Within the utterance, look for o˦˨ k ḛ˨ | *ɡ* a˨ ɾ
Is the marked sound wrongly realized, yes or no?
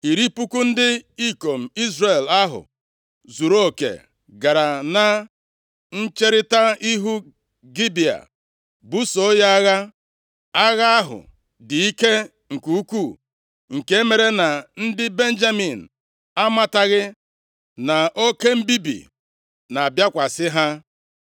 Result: no